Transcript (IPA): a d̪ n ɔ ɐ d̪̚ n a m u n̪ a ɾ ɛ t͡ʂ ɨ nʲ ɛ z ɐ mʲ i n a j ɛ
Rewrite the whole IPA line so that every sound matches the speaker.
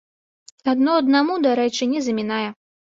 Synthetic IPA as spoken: a d̪ n ɔ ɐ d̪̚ n a m u d̪ a ɾ ɛ t͡ʂ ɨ nʲ ɛ z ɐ mʲ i n a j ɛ